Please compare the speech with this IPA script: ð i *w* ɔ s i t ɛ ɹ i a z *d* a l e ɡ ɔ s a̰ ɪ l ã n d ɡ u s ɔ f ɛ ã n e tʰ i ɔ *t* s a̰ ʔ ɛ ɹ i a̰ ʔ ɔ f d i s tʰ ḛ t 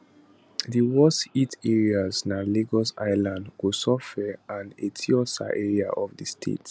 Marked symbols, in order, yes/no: yes, no, no

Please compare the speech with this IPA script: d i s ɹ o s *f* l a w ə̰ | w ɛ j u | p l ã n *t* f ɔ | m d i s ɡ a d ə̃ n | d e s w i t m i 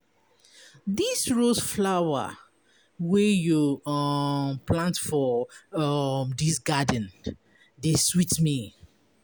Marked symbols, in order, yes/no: yes, yes

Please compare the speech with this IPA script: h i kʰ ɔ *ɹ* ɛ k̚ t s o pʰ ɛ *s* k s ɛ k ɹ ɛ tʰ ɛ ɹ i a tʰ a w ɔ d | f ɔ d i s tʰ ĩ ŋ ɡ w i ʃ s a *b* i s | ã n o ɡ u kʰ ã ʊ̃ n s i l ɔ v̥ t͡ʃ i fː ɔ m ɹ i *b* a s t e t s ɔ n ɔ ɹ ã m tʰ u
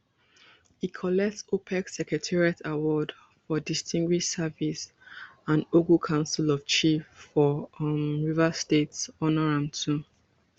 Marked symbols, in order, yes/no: no, no, no, no

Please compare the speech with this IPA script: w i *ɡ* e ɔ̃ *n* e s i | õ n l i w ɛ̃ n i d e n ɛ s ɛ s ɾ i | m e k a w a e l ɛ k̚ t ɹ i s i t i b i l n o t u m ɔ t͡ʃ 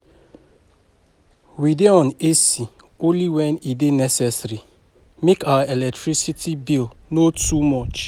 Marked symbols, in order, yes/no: no, yes

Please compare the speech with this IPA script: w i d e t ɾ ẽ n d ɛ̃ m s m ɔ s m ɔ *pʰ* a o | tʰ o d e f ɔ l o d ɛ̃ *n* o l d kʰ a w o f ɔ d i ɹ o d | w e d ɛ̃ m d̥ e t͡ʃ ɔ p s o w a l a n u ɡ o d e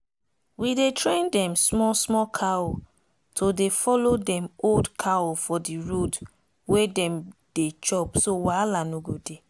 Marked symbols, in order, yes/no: no, no

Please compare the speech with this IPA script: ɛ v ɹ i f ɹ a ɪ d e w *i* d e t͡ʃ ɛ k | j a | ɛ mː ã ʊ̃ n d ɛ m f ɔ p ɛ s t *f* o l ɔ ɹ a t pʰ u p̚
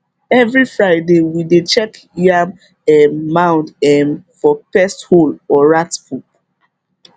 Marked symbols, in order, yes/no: yes, no

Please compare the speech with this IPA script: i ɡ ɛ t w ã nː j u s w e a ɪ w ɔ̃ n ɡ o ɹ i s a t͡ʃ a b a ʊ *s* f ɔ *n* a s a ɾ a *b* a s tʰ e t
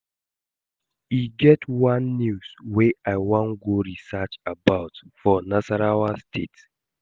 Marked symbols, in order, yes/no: no, yes, no

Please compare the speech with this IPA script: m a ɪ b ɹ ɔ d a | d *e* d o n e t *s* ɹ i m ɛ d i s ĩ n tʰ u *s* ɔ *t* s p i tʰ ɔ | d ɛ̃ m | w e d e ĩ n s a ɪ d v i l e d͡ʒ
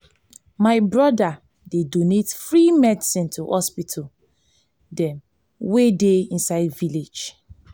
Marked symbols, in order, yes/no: yes, no, no, no

